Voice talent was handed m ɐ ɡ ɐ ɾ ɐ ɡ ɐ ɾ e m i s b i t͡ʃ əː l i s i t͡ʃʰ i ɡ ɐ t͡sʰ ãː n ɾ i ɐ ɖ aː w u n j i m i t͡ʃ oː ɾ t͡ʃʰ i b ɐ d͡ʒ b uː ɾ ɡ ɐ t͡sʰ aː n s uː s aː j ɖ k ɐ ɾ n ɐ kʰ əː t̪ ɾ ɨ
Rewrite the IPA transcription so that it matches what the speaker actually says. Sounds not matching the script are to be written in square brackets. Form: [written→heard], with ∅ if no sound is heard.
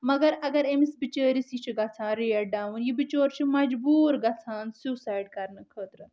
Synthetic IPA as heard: m ɐ ɡ ɐ ɾ ɐ ɡ ɐ ɾ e m i s b i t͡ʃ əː [l→ɾ] i s i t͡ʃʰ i ɡ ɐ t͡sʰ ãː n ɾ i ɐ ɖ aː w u n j i [m→b] i t͡ʃ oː ɾ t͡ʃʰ i [b→m] ɐ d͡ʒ b uː ɾ ɡ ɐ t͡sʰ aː n s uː s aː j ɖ k ɐ ɾ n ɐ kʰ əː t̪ ɾ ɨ